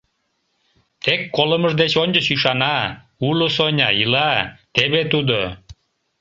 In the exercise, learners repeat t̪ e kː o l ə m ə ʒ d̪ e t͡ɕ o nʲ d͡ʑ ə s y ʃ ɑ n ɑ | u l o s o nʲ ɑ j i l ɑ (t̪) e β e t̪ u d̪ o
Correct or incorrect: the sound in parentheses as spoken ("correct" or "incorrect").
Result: correct